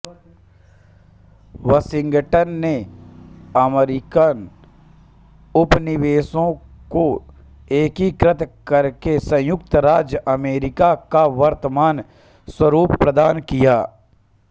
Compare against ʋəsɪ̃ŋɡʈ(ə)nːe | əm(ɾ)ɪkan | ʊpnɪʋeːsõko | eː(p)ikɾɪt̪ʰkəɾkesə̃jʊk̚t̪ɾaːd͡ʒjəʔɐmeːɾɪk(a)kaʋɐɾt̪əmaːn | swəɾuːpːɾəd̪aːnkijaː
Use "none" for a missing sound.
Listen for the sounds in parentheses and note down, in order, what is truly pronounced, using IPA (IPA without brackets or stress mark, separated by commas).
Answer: ə, ɾ, k, a